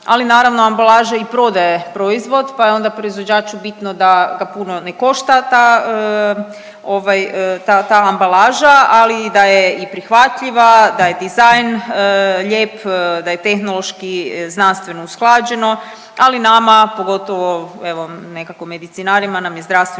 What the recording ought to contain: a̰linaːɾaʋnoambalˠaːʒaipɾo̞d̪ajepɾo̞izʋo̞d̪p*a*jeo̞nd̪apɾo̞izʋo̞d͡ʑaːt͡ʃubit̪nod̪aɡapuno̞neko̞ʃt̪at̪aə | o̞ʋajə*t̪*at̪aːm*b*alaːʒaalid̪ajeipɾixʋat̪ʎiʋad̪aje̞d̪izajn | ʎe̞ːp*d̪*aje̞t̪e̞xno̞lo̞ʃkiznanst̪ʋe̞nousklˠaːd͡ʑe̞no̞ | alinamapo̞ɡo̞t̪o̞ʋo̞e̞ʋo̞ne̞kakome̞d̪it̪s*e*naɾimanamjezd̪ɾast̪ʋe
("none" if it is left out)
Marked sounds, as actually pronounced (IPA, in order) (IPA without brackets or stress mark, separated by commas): a, t̪, b, d̪, i